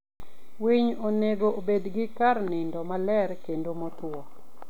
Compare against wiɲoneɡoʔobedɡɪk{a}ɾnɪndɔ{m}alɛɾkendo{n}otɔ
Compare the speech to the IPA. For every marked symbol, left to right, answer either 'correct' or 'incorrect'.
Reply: correct, correct, incorrect

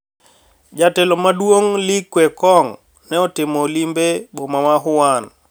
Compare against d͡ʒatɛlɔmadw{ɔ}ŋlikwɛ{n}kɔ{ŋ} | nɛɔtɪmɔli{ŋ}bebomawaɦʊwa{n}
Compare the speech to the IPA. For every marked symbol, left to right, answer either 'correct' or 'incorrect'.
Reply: incorrect, incorrect, correct, incorrect, correct

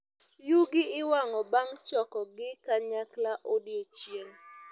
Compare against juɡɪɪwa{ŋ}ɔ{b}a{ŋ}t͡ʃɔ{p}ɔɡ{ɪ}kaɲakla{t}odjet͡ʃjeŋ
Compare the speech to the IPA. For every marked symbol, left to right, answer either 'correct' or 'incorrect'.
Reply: correct, correct, correct, incorrect, correct, incorrect

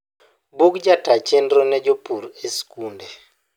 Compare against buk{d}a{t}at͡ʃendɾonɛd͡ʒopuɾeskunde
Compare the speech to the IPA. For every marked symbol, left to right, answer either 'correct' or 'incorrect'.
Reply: incorrect, correct

